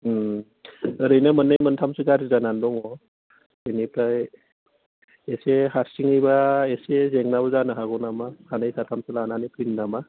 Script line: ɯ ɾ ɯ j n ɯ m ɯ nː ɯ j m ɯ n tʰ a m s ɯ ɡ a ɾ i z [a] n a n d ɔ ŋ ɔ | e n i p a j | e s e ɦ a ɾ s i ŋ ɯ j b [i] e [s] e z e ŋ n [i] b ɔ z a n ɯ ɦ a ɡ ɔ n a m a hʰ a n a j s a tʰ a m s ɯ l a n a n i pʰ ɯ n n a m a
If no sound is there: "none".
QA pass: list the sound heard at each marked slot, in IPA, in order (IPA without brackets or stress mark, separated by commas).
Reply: a, a, s, a